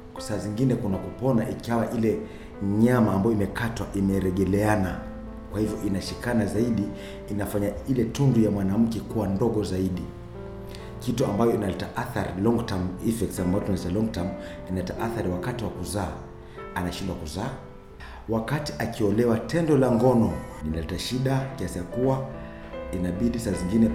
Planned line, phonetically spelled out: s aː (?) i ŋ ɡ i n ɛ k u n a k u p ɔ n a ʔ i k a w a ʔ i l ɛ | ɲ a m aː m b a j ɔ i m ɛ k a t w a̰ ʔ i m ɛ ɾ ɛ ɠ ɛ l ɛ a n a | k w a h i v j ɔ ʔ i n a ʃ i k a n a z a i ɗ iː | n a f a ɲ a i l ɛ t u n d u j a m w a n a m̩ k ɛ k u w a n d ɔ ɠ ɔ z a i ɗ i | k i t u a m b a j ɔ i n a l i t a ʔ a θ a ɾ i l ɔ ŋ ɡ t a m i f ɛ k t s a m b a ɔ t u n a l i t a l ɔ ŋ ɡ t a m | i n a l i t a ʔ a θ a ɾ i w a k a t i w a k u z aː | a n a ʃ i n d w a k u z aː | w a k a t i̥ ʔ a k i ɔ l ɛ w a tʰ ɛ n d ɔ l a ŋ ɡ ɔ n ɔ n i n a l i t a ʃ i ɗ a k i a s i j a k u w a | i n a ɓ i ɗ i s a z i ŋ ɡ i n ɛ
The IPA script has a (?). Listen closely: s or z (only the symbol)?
z